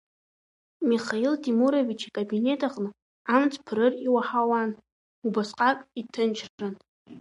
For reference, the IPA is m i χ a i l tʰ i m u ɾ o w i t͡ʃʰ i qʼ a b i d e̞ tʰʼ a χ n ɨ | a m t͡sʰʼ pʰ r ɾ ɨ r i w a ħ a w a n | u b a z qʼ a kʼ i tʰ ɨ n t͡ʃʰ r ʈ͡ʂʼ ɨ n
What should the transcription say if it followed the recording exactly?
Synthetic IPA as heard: m i χ a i l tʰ i m u ɾ o v i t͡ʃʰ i kʼ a b i n e̞ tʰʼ a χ n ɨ | a m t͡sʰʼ pʰ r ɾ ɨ r i w a ħ a w a n | u b a s qʼ a kʼ i tʰ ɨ n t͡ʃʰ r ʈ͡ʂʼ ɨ n